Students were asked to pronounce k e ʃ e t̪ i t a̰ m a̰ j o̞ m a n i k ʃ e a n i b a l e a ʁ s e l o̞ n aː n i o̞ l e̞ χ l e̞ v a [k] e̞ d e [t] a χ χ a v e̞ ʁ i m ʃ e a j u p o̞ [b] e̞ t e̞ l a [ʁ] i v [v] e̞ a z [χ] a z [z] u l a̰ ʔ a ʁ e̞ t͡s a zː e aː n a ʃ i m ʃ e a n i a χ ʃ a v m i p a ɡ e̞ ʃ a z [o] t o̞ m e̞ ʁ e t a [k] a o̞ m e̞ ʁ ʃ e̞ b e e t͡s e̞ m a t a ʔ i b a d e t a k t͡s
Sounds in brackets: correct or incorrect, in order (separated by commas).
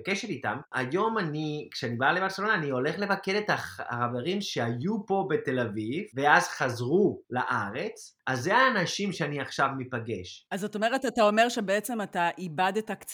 correct, correct, correct, incorrect, correct, correct, incorrect, correct, incorrect